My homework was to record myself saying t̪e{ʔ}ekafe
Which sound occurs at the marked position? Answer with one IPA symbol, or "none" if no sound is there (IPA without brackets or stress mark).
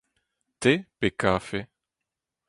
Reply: p